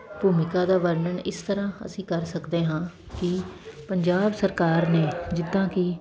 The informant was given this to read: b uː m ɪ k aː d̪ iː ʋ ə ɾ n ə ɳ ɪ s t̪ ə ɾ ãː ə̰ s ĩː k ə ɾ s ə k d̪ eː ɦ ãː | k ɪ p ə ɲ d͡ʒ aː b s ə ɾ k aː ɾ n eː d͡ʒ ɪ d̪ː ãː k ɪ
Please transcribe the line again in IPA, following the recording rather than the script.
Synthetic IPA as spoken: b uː m ɪ k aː d̪ aː ʋ ə ɾ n ə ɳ ɪ s t̪ ə ɾ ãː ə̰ s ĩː k ə ɾ s ə k d̪ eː ɦ ãː | k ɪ p ə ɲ d͡ʒ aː b s ə ɾ k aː ɾ n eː d͡ʒ ɪ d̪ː ãː k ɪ